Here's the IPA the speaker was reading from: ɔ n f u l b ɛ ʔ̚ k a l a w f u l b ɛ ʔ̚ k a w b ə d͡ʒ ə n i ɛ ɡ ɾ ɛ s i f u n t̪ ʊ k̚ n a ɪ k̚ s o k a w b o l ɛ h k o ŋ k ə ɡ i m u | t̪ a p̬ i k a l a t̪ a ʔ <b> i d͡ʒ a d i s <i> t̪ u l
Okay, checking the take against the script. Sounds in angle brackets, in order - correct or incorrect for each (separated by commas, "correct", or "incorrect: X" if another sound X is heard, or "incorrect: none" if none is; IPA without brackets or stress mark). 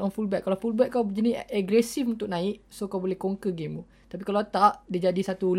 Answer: incorrect: d, incorrect: a